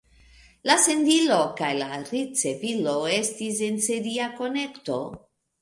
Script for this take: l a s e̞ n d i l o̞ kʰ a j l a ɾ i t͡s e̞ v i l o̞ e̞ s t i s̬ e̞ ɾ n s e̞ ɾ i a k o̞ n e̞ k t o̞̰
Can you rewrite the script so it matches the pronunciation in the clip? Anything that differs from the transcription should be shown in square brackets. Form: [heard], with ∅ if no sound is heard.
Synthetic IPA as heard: l a s e̞ n d i l o̞ [k] a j l a ɾ i t͡s e̞ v i l o̞ e̞ s t i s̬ e̞ [∅] n s e̞ ɾ i a k o̞ n e̞ k t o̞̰